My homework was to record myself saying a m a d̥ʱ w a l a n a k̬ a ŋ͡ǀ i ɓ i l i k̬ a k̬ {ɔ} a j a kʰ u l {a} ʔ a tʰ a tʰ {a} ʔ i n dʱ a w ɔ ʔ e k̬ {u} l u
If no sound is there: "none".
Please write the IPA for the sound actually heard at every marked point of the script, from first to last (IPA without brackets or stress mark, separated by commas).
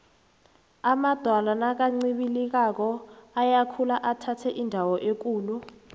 ɔ, a, ɛ, uː